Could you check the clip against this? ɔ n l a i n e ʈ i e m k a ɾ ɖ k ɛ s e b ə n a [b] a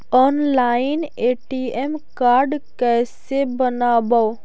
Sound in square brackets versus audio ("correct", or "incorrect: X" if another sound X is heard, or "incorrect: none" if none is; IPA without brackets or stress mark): correct